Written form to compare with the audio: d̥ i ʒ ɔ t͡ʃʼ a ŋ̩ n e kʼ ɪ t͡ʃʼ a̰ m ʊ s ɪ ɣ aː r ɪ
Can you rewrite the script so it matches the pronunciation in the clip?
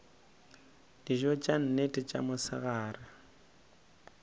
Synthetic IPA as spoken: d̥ i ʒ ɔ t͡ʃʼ a n̩ n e tʼ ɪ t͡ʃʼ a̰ m ʊ s ɪ ɣ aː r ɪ